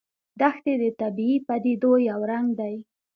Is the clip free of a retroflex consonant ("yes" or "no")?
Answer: yes